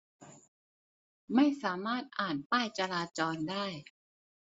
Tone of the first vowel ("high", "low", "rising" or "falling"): falling